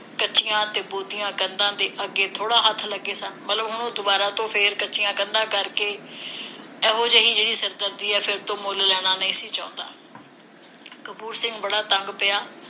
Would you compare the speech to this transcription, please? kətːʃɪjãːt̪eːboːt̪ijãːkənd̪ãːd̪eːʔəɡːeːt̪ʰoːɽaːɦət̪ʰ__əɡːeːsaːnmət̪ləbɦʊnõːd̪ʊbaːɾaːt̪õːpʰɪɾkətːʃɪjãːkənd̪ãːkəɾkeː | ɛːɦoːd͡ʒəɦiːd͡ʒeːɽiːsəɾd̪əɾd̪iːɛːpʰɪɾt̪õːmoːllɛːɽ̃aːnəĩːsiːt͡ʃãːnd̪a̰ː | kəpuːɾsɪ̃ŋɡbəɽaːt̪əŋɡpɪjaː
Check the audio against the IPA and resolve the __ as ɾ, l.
l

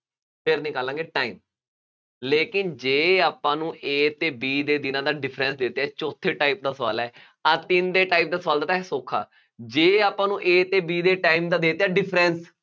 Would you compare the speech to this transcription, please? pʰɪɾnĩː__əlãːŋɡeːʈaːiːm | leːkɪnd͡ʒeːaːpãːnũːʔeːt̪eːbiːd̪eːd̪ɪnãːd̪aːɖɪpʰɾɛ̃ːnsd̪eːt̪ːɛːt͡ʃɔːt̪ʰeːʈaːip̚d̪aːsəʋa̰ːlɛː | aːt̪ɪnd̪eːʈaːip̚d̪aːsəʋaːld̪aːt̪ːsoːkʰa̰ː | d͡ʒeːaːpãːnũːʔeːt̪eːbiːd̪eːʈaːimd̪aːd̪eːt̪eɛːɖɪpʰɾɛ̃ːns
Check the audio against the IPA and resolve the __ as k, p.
k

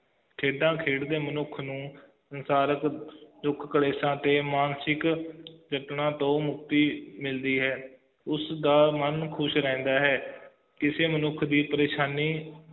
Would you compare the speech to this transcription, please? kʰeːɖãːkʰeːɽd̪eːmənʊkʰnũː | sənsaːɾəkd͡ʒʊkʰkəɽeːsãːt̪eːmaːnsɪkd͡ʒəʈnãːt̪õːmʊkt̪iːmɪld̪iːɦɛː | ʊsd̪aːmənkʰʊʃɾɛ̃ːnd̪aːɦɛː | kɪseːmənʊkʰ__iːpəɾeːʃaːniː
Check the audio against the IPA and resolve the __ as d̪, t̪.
d̪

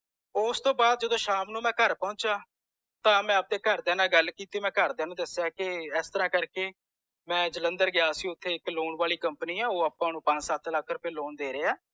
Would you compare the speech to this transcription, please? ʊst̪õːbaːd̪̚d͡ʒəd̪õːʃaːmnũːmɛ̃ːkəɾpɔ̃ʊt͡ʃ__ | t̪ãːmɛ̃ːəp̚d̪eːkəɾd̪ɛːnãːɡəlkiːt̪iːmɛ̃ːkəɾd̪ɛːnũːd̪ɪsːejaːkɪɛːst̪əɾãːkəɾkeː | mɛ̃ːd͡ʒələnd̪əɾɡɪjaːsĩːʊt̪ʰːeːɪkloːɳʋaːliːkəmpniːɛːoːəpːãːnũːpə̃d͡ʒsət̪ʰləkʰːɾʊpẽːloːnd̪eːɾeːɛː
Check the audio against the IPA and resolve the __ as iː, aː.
aː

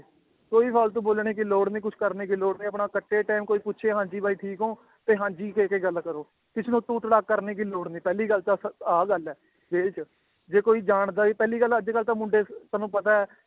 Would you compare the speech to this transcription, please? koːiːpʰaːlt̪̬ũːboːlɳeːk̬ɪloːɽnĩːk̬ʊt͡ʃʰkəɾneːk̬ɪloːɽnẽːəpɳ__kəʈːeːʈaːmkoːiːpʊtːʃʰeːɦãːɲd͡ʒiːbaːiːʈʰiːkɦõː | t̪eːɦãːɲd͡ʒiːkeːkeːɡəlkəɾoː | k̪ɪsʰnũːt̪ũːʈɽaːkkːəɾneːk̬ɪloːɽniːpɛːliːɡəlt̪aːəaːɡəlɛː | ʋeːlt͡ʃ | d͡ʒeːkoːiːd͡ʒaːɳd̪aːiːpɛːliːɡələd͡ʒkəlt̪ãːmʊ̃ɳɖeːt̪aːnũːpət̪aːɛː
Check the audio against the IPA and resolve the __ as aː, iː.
aː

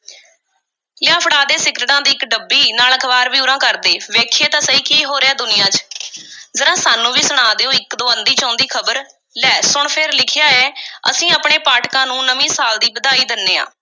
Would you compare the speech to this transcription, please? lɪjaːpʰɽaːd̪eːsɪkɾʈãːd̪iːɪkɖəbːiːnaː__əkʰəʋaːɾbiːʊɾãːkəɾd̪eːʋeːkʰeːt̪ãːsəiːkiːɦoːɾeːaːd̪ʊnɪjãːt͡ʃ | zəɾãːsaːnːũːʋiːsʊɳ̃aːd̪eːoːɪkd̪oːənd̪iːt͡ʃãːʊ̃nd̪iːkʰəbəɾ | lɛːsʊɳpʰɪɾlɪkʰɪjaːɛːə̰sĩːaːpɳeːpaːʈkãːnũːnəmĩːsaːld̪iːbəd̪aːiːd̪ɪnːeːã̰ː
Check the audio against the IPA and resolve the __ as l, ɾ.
l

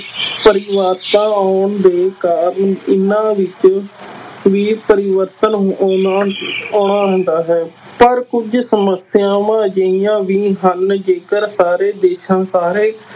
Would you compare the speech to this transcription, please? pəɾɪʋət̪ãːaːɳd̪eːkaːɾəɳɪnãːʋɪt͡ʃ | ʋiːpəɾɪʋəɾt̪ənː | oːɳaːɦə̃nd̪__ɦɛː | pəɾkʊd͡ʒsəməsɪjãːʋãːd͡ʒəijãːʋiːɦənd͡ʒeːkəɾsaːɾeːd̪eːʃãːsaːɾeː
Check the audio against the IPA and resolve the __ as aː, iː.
aː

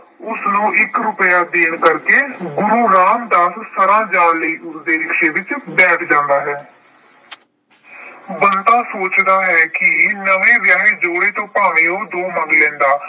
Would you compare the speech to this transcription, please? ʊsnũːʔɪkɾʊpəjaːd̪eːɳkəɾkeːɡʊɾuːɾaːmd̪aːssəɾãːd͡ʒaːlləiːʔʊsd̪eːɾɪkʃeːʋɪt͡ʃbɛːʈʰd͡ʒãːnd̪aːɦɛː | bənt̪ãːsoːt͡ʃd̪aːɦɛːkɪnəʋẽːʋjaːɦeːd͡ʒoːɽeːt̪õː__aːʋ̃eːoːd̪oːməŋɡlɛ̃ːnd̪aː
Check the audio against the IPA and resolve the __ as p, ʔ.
p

